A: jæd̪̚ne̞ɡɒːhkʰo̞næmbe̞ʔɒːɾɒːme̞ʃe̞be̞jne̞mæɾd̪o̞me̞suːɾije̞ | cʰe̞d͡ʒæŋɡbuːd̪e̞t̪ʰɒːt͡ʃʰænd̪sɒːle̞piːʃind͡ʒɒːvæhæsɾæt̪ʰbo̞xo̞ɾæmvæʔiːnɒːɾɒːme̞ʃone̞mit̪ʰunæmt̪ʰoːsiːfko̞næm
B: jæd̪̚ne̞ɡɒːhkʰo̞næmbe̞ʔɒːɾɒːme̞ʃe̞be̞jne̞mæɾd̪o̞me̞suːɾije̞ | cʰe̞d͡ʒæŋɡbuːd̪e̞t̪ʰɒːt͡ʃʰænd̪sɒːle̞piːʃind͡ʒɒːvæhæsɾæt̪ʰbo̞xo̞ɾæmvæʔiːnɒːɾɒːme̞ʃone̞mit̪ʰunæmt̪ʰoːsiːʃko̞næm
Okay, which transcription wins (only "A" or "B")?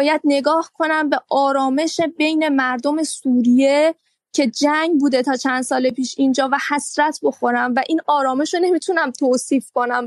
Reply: A